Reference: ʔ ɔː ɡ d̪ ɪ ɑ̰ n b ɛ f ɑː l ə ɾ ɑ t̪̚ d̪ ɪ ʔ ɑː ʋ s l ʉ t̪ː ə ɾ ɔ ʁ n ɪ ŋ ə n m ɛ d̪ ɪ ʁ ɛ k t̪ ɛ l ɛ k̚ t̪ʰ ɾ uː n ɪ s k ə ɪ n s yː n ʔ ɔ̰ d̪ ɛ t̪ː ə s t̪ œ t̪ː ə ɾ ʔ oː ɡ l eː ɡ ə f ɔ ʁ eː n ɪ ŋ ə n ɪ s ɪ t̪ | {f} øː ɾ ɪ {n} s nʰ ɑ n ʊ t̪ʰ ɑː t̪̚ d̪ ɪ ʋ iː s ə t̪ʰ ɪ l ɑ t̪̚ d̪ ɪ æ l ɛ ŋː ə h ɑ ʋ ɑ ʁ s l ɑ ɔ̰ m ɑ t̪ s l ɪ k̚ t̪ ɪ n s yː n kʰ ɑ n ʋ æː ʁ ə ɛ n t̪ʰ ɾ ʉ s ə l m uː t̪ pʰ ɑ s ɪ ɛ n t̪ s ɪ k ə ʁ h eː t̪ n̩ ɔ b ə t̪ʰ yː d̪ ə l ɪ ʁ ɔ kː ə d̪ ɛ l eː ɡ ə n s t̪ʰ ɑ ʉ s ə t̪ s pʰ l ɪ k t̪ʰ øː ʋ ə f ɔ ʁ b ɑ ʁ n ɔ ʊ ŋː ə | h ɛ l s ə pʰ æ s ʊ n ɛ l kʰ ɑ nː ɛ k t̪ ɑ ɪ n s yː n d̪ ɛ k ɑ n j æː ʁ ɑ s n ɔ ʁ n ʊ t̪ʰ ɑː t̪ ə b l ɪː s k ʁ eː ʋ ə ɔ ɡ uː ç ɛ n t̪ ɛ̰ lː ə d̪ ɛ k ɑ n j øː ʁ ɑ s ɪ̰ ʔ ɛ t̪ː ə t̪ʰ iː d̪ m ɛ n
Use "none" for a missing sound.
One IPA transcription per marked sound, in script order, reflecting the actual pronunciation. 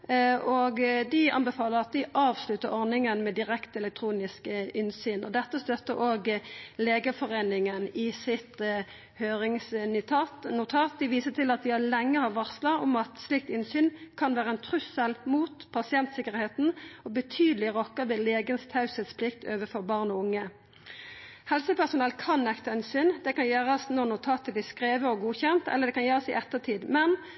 h, ŋ

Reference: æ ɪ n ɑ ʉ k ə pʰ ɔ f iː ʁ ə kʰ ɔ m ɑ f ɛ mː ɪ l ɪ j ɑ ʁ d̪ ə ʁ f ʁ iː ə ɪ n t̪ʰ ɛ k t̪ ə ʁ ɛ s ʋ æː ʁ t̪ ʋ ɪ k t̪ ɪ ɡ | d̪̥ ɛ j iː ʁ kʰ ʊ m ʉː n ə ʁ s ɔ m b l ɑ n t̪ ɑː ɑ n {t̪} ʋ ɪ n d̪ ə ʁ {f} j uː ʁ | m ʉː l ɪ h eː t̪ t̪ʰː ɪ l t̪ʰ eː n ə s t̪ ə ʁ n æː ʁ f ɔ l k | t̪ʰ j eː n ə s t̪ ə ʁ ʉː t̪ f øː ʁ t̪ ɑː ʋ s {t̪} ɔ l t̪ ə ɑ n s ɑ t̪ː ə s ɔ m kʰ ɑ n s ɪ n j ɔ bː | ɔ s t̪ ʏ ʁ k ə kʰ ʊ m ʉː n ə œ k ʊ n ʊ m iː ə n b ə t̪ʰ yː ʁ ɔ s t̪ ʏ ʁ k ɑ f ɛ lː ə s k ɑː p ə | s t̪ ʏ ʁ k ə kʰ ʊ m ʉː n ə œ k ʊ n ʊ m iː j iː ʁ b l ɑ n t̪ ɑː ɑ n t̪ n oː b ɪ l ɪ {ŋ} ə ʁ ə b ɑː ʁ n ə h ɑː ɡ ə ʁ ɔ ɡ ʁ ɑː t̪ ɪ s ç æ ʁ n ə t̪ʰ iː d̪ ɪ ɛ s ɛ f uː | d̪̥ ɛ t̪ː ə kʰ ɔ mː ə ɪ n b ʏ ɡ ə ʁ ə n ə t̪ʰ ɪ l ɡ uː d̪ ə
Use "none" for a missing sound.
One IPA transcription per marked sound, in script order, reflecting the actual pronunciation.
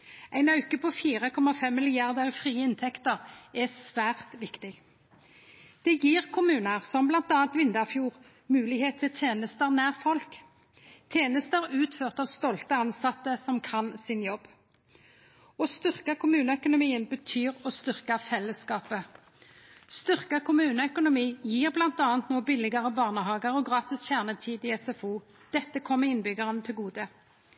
t̪, f, t̪, ɡ

